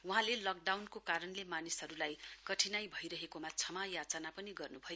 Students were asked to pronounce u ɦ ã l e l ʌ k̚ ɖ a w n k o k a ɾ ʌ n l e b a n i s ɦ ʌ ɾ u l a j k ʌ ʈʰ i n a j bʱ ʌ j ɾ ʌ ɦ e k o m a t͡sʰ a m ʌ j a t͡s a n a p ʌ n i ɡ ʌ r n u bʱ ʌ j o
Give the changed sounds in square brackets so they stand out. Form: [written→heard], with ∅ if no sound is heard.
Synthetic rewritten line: u ɦ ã l e l ʌ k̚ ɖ a w n k o k a ɾ ʌ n l e [b→m] a n i s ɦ ʌ ɾ u l a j k ʌ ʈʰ i n a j bʱ ʌ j ɾ ʌ ɦ e k o m a t͡sʰ [a→ʌ] m [ʌ→a] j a t͡s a n a p ʌ n i ɡ ʌ r n u bʱ ʌ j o

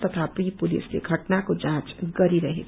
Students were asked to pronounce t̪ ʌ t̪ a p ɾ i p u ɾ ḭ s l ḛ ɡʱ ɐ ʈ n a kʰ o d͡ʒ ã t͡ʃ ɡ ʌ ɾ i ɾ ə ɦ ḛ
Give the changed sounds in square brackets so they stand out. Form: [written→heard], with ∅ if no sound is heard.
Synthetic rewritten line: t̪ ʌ [t̪→t̪ʰ] a p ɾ i p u [ɾ→l] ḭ s l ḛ ɡʱ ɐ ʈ n a [kʰ→k] o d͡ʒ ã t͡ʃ ɡ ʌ ɾ i ɾ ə ɦ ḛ

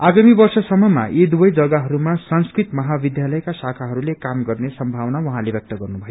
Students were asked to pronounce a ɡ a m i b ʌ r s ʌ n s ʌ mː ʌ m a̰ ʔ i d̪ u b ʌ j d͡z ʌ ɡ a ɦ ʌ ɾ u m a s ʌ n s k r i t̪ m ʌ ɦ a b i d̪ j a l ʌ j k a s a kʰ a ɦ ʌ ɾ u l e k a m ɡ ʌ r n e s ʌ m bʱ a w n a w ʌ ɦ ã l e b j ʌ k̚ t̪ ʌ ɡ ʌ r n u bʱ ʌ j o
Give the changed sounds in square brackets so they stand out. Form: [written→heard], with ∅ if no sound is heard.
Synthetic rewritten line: a ɡ a m i b ʌ r s ʌ [n→∅] s ʌ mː ʌ m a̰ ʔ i d̪ u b ʌ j d͡z ʌ ɡ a ɦ ʌ ɾ u m a s ʌ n s k r i t̪ m ʌ ɦ a b i d̪ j a l ʌ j k a s a kʰ a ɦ ʌ ɾ u l e k a m ɡ ʌ r n e s ʌ m bʱ a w n a w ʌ ɦ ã l e b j ʌ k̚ t̪ ʌ ɡ ʌ r n u bʱ ʌ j o

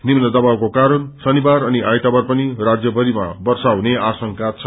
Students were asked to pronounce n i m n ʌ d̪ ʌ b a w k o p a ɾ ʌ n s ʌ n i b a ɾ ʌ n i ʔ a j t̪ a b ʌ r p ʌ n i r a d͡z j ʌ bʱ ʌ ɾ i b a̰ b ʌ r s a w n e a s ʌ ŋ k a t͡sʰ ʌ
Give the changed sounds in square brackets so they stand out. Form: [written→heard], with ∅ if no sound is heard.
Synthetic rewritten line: n i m n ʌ d̪ ʌ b a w k o [p→k] a ɾ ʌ n s ʌ n i b a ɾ ʌ n i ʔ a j t̪ a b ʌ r p ʌ n i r a d͡z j ʌ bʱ ʌ ɾ i [b→m] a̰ b ʌ r s a w n e a s ʌ ŋ k a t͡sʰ ʌ

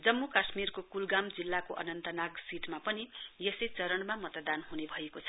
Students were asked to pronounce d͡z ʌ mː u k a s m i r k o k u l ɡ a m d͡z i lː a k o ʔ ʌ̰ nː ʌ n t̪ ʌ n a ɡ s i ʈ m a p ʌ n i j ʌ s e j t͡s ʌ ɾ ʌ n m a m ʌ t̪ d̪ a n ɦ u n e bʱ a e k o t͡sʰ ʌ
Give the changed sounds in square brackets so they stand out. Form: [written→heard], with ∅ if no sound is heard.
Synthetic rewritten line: d͡z ʌ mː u k a s m i r k o k u l ɡ a m d͡z i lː a k o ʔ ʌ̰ [nː→n] ʌ n t̪ ʌ n a ɡ s i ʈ m a p ʌ n i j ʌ s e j t͡s ʌ ɾ ʌ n m a m ʌ t̪ d̪ a n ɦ u n e bʱ [a→ʌ] e k o t͡sʰ ʌ

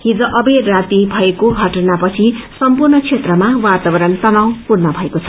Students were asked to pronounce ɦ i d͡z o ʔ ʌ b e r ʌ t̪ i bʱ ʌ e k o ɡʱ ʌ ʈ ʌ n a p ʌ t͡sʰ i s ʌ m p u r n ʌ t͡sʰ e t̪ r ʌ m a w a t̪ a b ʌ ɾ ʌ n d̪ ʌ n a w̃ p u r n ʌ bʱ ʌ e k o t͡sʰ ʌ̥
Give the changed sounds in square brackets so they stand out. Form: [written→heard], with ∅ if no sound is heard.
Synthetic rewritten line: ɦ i d͡z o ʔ ʌ b e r [ʌ→a] t̪ i bʱ ʌ e k o ɡʱ ʌ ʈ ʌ n a p ʌ t͡sʰ i s ʌ m p u r n ʌ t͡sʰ e t̪ r ʌ m a w a t̪ a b ʌ ɾ ʌ n [d̪→t̪] ʌ n a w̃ p u r n ʌ bʱ ʌ e k o t͡sʰ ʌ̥

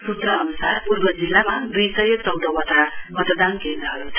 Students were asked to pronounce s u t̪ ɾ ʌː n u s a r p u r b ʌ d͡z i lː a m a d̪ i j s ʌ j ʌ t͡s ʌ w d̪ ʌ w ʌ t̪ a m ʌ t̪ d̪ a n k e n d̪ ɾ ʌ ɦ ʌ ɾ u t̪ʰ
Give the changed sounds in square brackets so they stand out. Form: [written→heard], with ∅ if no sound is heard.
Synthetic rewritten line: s u t̪ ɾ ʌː n u s a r p u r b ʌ d͡z i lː a m a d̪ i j s ʌ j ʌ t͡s ʌ w d̪ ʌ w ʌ t̪ a m ʌ t̪ d̪ a n k e n d̪ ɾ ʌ ɦ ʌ ɾ u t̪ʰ

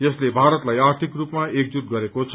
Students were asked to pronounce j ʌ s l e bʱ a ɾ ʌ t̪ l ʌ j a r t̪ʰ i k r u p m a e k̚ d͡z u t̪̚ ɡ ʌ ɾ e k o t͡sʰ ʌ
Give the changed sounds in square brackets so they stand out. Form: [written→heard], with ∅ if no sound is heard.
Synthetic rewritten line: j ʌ s l e bʱ a ɾ ʌ t̪ l [ʌ→a] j a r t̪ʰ i k r u p m a e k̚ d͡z u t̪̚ ɡ ʌ ɾ e k o t͡sʰ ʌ

